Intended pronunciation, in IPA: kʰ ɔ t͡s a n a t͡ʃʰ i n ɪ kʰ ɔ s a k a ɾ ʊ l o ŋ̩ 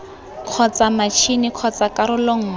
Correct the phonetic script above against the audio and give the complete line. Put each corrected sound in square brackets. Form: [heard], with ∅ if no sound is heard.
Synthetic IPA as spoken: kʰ ɔ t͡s a [m] a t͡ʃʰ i n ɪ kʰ ɔ [t͡s] a k a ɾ ʊ l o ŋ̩